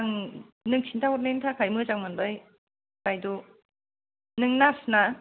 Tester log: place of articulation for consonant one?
velar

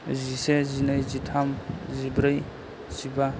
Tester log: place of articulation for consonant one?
alveolar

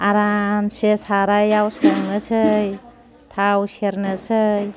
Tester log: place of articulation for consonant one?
alveolar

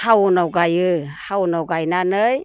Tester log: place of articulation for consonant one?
glottal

